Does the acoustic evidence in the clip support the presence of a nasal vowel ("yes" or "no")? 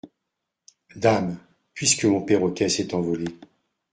yes